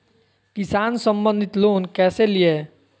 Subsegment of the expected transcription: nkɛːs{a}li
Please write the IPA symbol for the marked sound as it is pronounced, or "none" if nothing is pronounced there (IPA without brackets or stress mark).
e